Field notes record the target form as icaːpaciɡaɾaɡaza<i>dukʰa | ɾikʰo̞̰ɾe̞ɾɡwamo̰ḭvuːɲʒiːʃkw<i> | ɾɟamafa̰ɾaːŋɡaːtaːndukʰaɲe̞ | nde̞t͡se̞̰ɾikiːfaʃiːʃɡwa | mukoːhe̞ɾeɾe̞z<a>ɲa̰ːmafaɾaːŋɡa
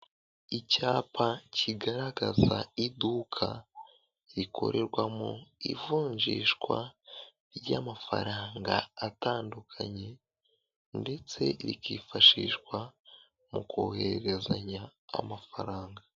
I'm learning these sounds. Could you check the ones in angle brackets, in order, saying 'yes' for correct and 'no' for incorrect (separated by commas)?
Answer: yes, no, yes